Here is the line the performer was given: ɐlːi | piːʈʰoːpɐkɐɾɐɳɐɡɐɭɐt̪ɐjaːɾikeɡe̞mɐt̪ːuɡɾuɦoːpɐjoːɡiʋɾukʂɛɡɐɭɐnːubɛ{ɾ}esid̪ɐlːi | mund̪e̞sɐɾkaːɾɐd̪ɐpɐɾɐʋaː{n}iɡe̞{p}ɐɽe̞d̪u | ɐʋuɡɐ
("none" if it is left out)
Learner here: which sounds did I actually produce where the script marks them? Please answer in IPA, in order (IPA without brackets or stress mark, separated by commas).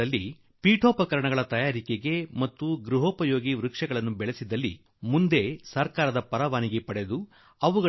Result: ɭ, n, p